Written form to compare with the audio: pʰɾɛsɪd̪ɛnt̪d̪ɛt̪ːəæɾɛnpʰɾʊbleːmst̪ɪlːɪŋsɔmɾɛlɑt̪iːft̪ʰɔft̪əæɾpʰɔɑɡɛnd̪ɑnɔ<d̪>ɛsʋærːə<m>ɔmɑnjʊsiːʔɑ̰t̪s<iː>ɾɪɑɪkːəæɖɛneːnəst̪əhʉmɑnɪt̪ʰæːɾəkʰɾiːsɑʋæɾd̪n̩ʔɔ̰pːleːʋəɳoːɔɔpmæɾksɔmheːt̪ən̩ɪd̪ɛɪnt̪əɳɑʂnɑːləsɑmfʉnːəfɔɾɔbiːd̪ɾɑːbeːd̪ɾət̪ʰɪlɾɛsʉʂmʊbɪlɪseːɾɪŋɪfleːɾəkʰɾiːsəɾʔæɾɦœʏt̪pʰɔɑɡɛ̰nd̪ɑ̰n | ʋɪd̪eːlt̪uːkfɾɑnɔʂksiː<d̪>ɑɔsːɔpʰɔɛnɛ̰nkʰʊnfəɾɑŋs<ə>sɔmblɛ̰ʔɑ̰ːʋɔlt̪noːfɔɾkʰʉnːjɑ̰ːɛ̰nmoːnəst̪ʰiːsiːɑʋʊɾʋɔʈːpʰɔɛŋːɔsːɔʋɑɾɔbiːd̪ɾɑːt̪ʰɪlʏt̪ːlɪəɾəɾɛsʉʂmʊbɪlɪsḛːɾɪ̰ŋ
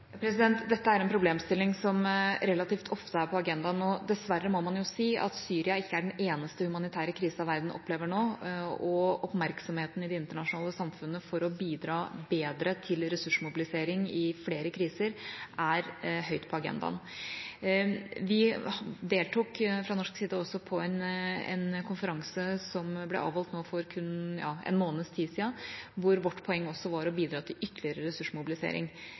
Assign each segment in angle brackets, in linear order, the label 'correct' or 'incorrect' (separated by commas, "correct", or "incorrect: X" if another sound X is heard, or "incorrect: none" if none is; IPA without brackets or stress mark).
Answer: correct, correct, incorrect: yː, correct, correct